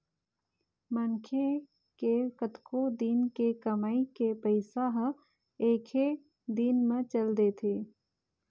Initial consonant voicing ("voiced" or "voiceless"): voiced